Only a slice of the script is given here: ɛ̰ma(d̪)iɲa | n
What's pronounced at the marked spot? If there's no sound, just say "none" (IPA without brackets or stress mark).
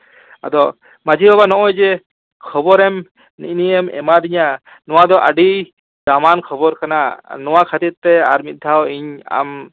d̪